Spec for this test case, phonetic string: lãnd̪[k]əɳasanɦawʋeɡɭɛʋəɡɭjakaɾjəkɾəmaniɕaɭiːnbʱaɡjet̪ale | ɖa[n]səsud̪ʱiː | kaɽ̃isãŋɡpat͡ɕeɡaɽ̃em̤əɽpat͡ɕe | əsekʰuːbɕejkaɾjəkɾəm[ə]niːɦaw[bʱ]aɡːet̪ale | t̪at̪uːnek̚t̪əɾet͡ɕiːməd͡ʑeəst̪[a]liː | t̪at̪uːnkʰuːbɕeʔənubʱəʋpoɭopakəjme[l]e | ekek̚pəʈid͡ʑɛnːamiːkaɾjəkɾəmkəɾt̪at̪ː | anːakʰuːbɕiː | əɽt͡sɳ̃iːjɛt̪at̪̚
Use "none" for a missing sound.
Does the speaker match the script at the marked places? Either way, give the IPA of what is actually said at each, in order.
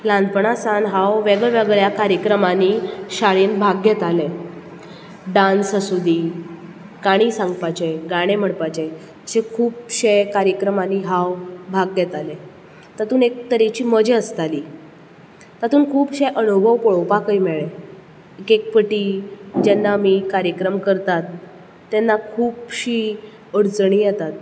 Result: p, n, a, bʱ, a, ɭ

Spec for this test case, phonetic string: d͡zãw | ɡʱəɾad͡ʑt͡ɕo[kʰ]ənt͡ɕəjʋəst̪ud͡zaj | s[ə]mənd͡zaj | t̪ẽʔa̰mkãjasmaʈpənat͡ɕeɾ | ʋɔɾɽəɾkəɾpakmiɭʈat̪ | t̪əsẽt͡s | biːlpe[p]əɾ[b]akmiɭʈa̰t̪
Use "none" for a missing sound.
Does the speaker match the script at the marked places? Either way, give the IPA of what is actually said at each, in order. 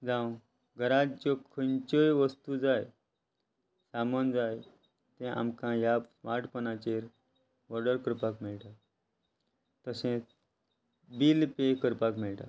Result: kʰ, a, k, p

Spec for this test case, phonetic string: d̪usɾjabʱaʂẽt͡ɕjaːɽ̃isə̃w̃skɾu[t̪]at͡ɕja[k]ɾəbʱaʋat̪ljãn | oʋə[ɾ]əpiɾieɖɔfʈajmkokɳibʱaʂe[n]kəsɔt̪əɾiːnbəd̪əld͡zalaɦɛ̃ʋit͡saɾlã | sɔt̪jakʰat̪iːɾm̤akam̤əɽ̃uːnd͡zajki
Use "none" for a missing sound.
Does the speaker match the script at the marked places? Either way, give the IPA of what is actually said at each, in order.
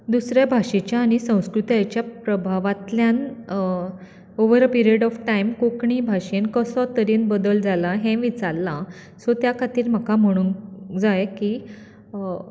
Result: t̪, p, ɾ, n

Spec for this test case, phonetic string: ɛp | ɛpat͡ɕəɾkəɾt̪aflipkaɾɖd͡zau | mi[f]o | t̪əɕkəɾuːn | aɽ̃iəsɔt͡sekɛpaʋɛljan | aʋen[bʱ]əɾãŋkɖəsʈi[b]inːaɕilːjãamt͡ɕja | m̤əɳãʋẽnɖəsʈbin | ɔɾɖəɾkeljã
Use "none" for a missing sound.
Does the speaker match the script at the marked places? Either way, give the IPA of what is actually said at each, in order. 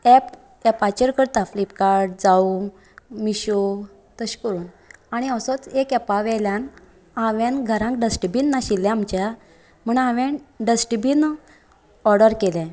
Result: ɕ, ɡʱ, b

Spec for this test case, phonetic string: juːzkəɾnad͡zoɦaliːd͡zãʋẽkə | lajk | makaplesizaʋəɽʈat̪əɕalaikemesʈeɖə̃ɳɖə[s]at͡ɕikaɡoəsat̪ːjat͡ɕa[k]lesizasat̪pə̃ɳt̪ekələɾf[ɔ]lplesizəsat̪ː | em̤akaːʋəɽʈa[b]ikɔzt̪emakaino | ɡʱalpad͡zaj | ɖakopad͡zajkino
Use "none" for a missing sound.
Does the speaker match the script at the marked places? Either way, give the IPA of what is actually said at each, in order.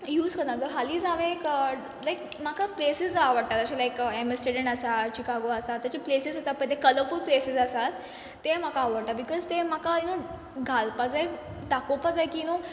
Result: s, p, u, b

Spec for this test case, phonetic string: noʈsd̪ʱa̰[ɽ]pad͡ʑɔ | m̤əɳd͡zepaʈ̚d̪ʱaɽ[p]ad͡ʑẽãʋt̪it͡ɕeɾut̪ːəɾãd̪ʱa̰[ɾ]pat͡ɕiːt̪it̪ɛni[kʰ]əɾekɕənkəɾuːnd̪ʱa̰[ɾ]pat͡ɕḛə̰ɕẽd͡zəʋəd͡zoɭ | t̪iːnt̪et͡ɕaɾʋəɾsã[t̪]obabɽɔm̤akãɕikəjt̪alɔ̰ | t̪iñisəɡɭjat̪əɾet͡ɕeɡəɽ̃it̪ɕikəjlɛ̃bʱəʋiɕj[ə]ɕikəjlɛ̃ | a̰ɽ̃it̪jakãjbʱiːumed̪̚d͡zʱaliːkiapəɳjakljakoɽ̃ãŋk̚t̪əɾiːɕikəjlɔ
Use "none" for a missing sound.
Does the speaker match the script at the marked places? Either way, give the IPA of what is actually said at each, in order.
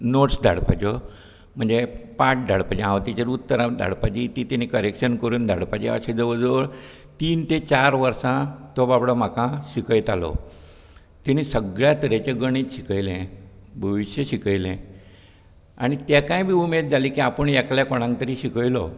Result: ɽ, p, ɽ, k, ɽ, t̪, ə

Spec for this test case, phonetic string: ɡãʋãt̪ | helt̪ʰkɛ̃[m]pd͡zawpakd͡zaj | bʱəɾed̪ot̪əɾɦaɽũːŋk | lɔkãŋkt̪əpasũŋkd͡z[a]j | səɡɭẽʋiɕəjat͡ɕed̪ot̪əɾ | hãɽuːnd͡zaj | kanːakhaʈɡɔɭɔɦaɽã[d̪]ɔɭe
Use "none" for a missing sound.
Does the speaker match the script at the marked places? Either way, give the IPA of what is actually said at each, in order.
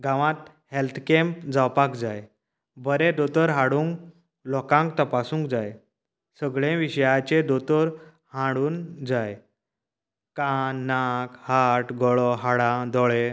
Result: m, a, d̪

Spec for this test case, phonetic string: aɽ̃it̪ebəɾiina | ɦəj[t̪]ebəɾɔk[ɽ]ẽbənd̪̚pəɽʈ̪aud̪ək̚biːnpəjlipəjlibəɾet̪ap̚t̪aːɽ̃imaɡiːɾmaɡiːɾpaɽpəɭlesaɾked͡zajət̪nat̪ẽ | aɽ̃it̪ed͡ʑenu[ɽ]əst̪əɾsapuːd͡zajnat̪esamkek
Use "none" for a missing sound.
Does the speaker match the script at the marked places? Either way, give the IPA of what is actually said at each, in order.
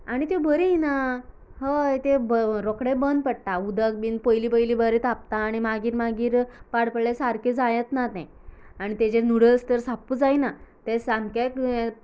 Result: t̪, ɽ, ɽ

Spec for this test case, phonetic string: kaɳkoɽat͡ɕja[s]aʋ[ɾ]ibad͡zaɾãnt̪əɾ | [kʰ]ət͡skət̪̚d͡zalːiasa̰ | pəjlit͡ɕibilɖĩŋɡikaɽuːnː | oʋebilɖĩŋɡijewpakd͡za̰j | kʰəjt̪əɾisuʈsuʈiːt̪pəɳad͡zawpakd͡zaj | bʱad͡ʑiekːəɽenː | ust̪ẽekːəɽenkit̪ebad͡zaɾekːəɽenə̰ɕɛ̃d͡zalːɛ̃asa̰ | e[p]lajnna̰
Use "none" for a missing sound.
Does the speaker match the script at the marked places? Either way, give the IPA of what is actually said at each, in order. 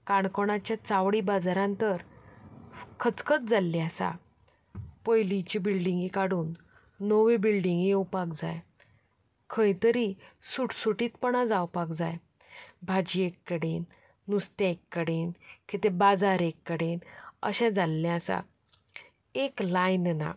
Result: t͡s, ɽ, kʰ, k

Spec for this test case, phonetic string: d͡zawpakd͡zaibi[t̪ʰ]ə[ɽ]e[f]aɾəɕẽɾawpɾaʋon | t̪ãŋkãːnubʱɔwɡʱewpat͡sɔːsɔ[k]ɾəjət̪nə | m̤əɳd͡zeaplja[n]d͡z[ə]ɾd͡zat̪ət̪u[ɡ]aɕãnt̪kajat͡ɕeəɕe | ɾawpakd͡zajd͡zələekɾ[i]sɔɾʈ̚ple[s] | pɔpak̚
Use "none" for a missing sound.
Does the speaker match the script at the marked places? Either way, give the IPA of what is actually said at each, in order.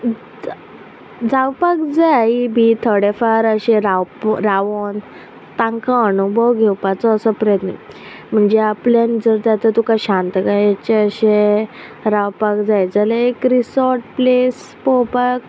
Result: t̪ʰ, ɽ, f, p, n, ə, k, i, s

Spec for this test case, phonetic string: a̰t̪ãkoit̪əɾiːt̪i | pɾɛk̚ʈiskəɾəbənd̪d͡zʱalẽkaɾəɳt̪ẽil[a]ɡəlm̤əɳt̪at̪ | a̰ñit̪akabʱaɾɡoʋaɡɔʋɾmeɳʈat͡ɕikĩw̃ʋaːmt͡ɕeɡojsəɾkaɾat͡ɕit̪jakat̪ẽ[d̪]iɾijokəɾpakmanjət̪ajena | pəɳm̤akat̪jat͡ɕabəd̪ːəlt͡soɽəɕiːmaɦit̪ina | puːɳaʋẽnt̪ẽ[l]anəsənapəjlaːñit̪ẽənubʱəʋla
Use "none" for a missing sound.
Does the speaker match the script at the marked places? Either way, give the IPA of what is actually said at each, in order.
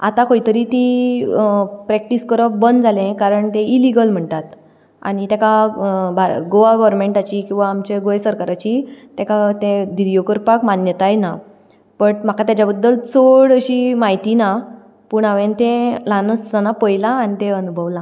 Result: i, d̪, l

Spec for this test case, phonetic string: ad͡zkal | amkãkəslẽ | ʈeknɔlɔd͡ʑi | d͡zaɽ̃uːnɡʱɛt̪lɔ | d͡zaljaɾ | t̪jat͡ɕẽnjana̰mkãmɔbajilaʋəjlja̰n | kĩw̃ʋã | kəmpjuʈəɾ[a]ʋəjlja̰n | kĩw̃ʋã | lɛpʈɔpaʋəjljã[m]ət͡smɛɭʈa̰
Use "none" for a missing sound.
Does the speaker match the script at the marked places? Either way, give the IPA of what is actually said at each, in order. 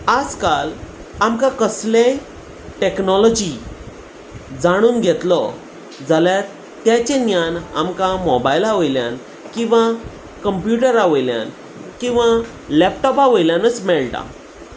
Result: a, n

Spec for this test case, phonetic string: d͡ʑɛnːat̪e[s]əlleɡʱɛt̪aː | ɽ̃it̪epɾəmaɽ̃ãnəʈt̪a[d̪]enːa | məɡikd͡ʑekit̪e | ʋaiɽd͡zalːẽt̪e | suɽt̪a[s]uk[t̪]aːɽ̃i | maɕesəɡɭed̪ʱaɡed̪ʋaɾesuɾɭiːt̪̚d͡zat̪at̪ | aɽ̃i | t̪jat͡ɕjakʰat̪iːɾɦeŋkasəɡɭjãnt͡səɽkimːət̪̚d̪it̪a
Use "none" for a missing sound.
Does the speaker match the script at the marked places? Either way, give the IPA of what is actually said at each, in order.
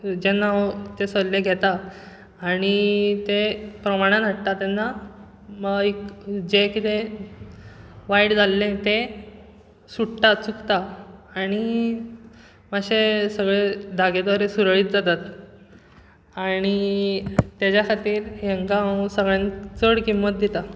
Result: s, t̪, t͡s, t̪

